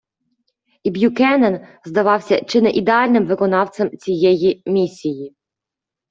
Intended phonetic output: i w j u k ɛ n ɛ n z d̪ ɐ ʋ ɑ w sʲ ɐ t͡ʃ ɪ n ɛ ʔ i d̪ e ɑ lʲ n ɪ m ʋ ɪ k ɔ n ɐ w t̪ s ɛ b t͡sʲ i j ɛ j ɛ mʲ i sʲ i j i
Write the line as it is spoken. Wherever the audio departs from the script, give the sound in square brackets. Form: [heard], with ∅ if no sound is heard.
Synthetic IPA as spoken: i [b] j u k ɛ n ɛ n z d̪ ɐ ʋ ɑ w sʲ ɐ t͡ʃ ɪ n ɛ ʔ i d̪ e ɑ lʲ n ɪ m ʋ ɪ k ɔ n [ɑ] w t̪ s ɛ [m] t͡sʲ i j ɛ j [i] mʲ i sʲ i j i